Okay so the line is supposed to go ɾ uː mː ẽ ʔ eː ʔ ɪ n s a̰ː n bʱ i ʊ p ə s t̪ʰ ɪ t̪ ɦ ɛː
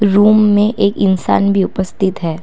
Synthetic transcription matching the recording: ɾ uː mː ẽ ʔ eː k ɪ n s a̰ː n bʱ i ʊ p ə s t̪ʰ ɪ t̪ ɦ ɛː